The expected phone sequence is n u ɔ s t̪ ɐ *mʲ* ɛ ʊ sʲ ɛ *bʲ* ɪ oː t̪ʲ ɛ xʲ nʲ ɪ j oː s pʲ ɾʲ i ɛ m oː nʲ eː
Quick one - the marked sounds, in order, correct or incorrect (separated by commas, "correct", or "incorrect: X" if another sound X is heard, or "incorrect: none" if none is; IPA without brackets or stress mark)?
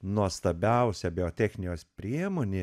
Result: incorrect: bʲ, correct